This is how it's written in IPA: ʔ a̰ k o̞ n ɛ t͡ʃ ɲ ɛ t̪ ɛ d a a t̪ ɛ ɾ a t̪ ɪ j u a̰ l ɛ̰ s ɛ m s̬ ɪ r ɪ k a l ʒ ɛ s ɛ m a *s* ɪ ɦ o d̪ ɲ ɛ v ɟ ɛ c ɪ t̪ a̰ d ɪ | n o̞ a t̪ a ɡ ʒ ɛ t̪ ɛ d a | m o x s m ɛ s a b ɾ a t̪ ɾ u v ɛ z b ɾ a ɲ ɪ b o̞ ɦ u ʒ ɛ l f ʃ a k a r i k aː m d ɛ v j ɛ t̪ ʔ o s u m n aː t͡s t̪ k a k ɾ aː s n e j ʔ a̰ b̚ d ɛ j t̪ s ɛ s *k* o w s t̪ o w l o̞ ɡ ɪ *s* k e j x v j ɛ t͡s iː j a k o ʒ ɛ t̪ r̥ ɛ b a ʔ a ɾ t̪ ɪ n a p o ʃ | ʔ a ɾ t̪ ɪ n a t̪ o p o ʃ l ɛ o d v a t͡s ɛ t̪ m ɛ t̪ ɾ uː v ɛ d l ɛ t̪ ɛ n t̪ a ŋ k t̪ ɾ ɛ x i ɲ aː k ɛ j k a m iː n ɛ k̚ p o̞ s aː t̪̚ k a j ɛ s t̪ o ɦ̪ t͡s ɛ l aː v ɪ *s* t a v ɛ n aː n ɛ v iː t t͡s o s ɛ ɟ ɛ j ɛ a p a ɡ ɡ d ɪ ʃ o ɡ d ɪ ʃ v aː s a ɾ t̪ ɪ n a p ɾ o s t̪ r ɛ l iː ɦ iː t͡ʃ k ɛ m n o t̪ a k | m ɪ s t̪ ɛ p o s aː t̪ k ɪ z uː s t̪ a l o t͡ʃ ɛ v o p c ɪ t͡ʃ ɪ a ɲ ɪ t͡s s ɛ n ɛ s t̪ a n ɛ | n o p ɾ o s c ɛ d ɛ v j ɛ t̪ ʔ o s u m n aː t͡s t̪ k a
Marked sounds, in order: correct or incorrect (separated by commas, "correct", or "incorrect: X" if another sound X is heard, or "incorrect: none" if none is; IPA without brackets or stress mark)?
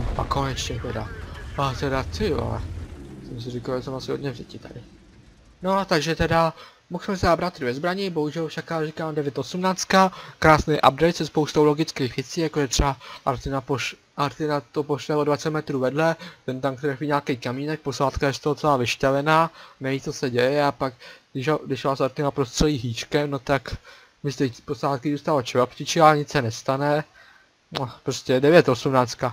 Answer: correct, incorrect: p, incorrect: t͡s, incorrect: ʃ